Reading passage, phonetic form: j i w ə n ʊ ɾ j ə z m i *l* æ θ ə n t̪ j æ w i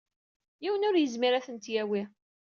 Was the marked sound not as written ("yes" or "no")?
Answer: yes